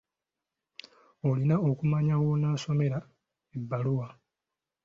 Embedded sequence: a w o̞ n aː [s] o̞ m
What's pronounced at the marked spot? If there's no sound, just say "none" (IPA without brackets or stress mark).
s